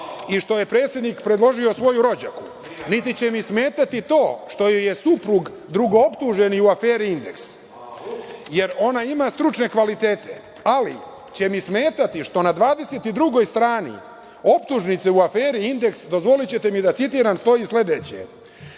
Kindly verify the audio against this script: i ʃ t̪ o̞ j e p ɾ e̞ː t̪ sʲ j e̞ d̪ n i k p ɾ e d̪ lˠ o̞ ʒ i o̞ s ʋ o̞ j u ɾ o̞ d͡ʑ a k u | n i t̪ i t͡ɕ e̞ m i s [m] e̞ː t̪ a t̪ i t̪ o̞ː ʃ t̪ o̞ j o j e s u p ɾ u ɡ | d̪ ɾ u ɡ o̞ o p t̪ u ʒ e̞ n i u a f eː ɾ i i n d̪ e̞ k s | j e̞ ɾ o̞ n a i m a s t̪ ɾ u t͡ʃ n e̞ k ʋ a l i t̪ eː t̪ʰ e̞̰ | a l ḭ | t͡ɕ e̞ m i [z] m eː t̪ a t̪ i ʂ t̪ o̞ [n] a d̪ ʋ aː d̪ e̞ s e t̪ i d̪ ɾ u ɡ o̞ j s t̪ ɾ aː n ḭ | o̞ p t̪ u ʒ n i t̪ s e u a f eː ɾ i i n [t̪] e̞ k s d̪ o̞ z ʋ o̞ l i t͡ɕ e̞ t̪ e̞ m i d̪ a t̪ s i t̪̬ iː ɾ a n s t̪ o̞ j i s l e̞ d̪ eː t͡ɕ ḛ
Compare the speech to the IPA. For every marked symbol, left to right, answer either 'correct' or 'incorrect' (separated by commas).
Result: correct, incorrect, correct, incorrect